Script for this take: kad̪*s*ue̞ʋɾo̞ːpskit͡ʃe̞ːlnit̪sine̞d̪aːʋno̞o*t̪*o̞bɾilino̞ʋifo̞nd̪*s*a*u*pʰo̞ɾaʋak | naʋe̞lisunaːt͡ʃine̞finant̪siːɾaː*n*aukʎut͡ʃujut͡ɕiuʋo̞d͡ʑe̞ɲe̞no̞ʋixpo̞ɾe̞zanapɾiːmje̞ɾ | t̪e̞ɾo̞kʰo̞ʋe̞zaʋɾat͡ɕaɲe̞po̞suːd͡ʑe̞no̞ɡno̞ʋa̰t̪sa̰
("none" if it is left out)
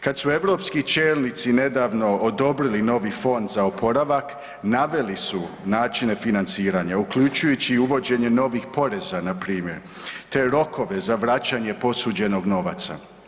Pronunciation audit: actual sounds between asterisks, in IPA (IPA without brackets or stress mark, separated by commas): s, d̪, z, o, ɲ